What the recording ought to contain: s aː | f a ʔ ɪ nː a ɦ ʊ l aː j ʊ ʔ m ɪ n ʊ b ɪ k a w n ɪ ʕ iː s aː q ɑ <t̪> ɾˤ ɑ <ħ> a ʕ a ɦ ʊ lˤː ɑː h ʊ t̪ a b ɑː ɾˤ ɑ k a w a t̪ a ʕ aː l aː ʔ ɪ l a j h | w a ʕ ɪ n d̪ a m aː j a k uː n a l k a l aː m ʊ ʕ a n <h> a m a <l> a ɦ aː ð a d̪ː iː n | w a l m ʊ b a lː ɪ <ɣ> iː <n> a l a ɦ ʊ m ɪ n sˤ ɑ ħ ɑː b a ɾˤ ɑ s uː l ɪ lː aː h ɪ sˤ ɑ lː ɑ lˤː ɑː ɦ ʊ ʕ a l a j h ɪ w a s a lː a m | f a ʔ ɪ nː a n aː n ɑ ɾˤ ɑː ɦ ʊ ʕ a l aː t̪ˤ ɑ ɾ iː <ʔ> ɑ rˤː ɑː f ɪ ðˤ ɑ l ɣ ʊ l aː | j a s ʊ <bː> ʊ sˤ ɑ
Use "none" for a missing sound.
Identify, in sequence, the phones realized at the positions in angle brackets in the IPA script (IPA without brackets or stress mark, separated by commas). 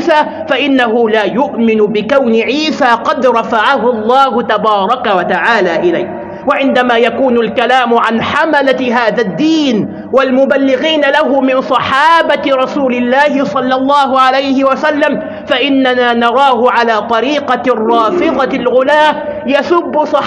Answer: d̪, f, ħ, l, ɣ, n, q, bː